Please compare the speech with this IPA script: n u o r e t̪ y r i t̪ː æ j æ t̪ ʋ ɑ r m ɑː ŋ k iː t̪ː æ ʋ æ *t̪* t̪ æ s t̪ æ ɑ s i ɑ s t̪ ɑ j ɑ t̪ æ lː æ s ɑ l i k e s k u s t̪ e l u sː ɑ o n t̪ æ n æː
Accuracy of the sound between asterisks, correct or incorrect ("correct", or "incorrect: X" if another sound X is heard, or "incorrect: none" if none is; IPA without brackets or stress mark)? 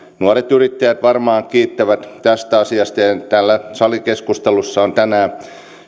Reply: correct